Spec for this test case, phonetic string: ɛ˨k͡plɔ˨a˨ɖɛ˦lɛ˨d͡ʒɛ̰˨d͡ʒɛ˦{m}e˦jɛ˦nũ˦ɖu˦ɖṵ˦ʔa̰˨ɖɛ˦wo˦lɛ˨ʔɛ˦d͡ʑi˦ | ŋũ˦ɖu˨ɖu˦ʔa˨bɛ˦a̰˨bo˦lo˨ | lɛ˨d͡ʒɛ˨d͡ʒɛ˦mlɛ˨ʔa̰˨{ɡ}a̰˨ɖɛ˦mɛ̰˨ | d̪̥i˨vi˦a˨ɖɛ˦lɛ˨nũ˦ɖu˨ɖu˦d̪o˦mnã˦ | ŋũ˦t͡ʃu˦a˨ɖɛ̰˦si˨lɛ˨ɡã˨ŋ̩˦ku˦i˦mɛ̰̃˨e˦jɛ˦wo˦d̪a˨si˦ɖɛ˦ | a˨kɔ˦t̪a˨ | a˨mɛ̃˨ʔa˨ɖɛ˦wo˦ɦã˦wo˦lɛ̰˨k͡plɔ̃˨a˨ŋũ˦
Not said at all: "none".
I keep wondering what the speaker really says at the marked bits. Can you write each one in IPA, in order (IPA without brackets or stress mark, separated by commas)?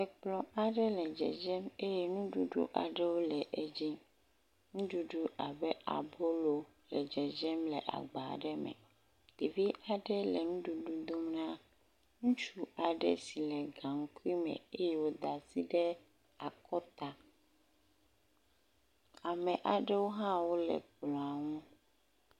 m, ɡ͡b